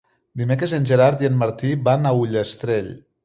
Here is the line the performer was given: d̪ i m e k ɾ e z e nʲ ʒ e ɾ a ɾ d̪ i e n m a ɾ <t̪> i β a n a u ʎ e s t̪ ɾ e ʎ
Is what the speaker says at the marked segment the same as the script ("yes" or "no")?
yes